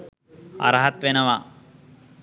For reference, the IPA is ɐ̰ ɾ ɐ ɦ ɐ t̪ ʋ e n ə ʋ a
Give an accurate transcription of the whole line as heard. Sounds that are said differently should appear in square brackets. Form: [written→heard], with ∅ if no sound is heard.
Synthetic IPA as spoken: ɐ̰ ɾ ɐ ɦ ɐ t̪ ʋ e n [ə→ɐ] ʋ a